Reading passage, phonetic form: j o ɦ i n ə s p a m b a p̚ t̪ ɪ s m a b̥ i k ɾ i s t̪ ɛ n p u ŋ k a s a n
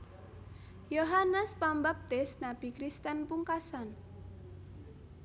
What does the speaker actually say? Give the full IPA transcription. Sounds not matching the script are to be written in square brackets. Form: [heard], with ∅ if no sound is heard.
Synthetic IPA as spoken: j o ɦ [a] n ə s p a m b a p̚ t̪ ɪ s [n] a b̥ i k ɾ i s t̪ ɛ n p u ŋ k a s a n

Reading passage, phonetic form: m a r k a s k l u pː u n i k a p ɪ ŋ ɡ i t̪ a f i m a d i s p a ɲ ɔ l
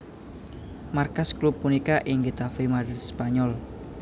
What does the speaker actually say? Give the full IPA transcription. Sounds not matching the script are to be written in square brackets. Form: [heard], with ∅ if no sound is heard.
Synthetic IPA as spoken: m a r k a s k l u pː u n i k a [ʔ] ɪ ŋ ɡ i t̪ a f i m a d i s p a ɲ ɔ l

